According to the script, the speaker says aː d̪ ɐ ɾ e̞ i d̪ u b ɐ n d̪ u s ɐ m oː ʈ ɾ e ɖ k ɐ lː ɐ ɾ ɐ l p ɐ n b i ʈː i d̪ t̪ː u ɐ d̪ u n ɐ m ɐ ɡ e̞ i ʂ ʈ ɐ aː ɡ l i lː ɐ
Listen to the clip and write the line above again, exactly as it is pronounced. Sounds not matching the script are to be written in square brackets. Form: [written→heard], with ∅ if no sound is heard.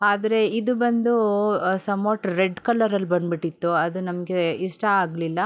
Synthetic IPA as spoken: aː d̪ ɐ ɾ e̞ i d̪ u b ɐ n d̪ u s ɐ m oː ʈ ɾ e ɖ k ɐ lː ɐ ɾ ɐ l [p→b] ɐ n b i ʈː i [d̪→∅] t̪ː u ɐ d̪ u n ɐ m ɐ ɡ e̞ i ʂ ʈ ɐ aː ɡ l i lː ɐ

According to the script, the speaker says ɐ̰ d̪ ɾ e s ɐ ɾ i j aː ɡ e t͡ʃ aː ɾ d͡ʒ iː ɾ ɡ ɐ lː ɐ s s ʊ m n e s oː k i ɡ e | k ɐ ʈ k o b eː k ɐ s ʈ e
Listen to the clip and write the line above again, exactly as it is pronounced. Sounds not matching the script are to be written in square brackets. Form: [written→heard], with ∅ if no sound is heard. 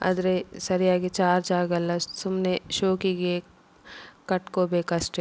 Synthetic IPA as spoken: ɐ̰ d̪ ɾ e s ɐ ɾ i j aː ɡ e t͡ʃ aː ɾ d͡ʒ [iː→aː] ɾ ɡ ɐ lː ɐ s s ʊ m n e [s→ʃ] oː k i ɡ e | k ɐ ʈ k o b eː k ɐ s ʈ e

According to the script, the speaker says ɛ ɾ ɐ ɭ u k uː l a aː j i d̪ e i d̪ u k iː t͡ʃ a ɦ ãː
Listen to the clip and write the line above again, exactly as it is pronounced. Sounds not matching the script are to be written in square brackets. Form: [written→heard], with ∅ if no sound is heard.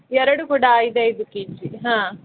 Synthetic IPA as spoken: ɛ ɾ ɐ [ɭ→ɽ] u k uː [l→ɽ] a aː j i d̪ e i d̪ u k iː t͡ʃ [a→i] ɦ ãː

